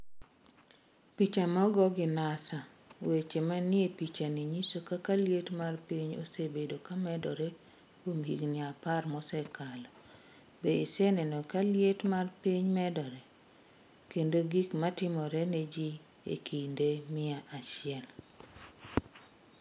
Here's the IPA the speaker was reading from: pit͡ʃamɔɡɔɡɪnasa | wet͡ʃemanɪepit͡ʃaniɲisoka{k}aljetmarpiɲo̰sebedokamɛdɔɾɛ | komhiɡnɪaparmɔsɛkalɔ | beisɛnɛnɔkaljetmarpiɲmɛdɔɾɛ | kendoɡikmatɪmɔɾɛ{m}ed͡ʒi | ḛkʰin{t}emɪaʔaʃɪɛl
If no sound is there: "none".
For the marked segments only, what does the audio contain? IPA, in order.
k, n, d

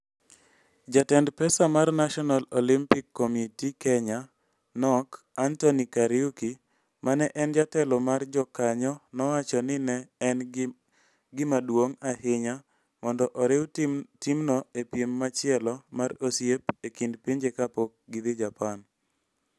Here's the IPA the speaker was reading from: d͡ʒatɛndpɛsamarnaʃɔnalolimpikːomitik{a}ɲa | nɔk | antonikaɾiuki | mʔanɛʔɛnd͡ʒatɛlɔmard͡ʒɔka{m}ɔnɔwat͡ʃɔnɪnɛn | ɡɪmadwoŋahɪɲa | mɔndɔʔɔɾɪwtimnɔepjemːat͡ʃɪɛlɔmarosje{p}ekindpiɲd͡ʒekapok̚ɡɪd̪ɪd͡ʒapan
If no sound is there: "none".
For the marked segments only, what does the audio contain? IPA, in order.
ɛ, ɲ, p

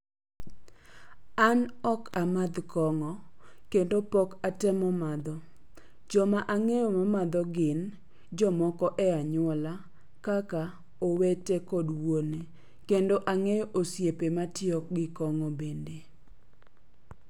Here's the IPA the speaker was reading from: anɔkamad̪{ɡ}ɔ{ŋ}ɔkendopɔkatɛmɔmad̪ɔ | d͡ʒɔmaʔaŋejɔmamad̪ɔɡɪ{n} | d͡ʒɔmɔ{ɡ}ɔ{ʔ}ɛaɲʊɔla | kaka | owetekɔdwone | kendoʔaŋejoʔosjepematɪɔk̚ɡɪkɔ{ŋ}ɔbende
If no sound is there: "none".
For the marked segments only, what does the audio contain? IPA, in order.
k, ŋ, n, k, ʔ, ŋ

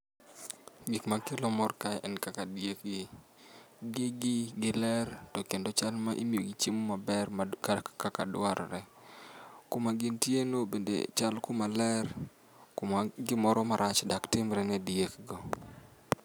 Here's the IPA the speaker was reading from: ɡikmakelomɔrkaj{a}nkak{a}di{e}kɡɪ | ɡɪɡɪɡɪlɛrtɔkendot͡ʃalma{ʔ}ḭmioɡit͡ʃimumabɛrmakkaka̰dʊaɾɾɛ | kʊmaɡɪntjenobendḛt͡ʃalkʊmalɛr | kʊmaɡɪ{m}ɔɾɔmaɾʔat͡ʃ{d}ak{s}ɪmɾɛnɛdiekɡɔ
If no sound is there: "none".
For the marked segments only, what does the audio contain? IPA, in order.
ɛ, a, e, ʔ, m, d, t

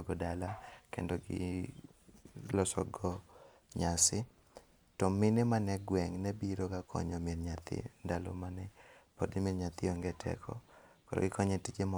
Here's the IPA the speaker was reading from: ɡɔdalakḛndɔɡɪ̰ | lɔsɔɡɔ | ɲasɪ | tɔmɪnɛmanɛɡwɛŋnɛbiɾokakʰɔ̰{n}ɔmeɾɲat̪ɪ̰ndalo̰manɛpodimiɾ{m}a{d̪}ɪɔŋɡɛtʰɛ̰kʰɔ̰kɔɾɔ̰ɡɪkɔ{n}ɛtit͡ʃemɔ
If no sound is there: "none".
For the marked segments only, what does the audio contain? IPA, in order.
ɲ, ɲ, t̪, ɲ

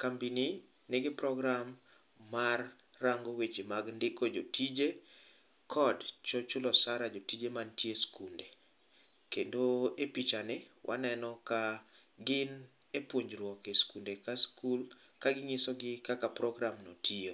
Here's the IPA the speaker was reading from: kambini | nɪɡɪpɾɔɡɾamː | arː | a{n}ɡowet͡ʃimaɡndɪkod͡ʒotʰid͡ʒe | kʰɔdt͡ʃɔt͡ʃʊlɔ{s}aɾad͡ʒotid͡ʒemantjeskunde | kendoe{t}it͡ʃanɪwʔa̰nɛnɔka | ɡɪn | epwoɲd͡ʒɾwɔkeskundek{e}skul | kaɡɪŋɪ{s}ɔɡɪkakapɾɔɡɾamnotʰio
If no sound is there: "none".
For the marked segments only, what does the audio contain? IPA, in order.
ŋ, s, p, a, s

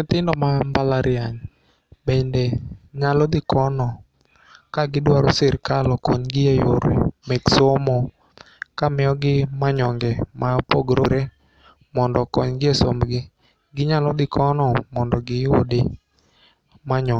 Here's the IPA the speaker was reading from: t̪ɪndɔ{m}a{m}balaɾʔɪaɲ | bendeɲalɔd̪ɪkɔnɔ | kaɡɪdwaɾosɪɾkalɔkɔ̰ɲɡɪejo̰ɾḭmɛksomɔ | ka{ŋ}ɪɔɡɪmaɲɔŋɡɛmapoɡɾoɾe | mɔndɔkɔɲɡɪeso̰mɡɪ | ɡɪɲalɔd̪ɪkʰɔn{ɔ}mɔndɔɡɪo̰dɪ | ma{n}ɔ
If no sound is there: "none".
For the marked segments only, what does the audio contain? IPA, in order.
m, m, m, ɔ, ɲ

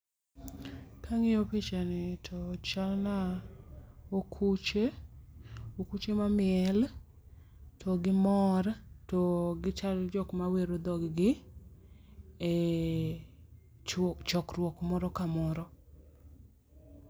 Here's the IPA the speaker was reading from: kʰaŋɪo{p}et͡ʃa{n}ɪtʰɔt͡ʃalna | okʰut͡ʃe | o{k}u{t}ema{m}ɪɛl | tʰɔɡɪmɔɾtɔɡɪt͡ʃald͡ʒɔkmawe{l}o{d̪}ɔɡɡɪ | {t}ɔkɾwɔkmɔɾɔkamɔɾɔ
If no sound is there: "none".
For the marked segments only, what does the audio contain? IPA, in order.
p, n, k, t͡ʃ, m, ɾ, d̪, t͡ʃ

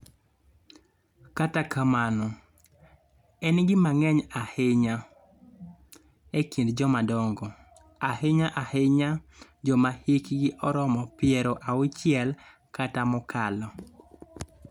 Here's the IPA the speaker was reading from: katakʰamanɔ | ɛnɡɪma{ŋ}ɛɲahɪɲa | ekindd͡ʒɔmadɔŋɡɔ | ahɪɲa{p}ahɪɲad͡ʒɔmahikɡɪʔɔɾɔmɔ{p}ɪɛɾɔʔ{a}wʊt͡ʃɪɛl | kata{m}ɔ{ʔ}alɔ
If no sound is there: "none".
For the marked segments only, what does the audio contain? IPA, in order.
ŋ, ʔ, p, a, m, k

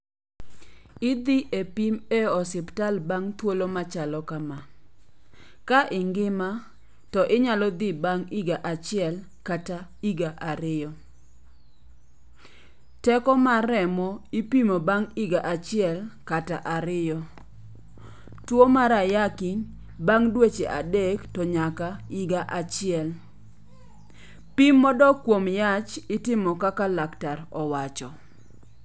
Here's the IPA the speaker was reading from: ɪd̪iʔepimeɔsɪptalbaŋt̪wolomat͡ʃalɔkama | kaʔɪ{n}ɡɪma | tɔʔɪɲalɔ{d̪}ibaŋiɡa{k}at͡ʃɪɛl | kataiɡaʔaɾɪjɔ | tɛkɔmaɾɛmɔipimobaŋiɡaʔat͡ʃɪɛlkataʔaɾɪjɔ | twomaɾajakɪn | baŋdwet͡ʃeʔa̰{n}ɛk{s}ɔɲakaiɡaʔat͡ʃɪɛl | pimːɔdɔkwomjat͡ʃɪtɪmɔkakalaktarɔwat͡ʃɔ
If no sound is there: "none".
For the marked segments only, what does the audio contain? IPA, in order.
ŋ, d̪, ʔ, d, t

